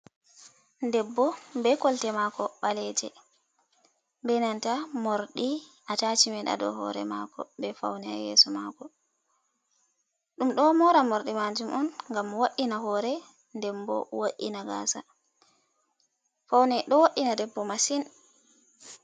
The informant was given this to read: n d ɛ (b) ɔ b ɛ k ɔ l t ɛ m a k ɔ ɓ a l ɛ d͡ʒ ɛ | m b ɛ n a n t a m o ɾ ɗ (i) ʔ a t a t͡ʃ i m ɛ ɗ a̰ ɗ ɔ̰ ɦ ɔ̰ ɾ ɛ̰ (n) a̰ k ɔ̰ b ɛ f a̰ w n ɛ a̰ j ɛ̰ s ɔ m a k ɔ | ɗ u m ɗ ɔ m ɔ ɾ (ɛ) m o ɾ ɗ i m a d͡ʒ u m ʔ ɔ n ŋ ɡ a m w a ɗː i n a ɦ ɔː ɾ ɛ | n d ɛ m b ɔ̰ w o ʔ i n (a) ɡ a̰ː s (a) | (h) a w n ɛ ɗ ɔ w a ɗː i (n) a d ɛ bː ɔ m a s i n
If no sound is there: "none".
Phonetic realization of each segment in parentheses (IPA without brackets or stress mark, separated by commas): bː, i, m, a, a, a, f, n